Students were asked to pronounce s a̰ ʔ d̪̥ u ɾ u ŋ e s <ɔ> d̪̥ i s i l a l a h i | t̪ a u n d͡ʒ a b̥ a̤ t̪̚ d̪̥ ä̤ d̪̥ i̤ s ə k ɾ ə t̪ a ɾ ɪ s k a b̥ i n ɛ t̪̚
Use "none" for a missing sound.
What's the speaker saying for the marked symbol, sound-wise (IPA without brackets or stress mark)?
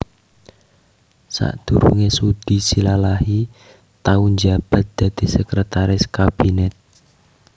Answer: u